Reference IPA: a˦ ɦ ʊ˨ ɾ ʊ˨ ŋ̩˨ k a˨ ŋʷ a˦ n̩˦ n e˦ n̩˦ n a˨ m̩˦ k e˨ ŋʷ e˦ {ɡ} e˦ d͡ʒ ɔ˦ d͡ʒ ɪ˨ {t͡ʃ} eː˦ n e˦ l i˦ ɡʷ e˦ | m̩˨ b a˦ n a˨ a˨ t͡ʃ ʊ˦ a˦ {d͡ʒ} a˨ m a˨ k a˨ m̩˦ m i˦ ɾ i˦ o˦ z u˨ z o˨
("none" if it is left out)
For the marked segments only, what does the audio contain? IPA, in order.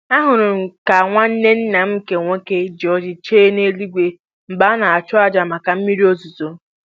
k, t͡ʃ, d͡ʒ

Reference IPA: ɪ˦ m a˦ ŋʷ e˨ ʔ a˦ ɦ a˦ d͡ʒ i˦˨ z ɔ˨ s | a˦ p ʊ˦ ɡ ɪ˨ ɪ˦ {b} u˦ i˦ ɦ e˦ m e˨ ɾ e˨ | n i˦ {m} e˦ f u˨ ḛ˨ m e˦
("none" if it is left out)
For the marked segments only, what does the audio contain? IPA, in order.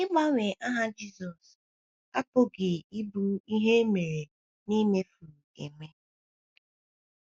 b, m

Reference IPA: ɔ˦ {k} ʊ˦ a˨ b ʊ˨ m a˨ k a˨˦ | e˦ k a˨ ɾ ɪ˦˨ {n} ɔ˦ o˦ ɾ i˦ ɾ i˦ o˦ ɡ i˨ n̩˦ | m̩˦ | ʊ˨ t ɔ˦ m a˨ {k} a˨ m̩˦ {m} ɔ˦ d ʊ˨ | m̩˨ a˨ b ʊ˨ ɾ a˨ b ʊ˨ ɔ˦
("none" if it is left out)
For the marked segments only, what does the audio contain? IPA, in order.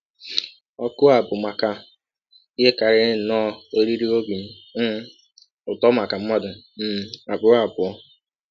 k, n, k, m

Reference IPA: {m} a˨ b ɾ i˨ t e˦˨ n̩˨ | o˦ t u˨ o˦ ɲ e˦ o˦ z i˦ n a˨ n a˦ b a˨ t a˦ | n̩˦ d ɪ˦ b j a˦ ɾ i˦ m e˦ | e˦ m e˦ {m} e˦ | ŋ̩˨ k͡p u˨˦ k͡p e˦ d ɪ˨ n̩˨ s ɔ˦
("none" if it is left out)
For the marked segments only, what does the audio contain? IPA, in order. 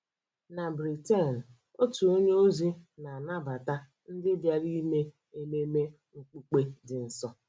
n, m

